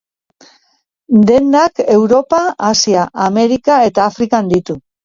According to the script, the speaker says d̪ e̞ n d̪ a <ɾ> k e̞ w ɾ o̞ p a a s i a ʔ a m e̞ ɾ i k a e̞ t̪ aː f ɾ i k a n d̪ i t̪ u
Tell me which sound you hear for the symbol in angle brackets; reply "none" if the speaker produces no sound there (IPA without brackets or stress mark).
none